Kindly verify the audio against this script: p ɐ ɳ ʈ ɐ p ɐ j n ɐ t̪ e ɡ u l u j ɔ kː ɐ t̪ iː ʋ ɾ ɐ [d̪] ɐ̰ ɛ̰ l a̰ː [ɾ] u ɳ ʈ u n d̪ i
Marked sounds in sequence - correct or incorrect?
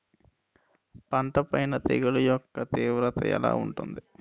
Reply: incorrect: t̪, incorrect: none

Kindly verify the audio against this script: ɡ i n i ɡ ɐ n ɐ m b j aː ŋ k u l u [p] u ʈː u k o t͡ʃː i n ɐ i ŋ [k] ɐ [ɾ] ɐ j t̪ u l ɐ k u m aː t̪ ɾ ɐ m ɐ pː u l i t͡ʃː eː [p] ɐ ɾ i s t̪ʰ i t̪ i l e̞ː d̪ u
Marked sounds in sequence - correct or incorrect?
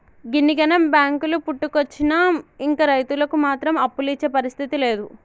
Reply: correct, correct, correct, correct

